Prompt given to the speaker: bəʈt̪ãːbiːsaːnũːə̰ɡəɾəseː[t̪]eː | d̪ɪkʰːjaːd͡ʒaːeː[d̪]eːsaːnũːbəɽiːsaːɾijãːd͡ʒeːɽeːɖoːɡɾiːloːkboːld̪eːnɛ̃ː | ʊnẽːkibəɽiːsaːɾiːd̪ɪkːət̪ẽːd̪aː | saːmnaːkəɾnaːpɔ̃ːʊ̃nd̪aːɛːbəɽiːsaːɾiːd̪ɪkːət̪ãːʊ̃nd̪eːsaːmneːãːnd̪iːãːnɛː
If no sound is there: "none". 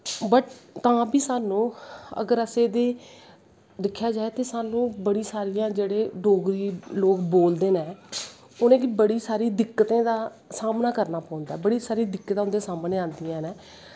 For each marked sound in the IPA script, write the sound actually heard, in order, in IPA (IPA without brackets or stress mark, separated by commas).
d̪, t̪